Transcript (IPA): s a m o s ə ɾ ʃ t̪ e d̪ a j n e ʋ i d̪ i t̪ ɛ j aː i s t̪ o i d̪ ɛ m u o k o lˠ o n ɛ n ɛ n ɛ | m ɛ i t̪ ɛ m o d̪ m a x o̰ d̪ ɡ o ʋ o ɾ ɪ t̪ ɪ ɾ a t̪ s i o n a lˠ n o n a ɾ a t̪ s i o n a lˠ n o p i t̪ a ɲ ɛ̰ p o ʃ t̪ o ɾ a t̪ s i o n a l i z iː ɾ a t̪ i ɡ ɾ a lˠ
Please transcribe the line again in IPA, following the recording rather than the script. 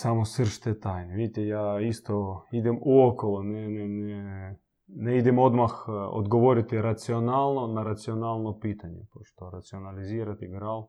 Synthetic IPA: s a m o s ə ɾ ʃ t̪ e t̪ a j n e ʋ i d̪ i t̪ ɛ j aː i s t̪ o i d̪ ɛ m u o k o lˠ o n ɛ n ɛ n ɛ | n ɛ i d̪ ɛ m o d̪ m a x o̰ d̪ ɡ o ʋ o ɾ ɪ t̪ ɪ ɾ a t̪ s i o n a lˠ n o n a ɾ a t̪ s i o n a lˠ n o p i t̪ a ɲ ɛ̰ p o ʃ t̪ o ɾ a t̪ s i o n a l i z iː ɾ a t̪ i ɡ ɾ a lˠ